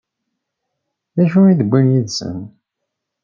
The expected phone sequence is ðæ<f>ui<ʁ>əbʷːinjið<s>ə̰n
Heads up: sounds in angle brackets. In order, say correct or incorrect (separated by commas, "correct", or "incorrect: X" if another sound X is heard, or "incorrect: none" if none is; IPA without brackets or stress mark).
incorrect: ʃ, incorrect: ð, correct